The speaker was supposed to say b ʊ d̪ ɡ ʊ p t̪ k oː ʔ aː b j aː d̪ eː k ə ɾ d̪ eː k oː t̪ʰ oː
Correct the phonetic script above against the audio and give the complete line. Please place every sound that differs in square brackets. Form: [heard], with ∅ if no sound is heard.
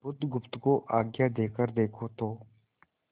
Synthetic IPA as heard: b ʊ d̪ ɡ ʊ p t̪ k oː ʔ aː [ɡ] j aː d̪ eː k ə ɾ d̪ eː [kʰ] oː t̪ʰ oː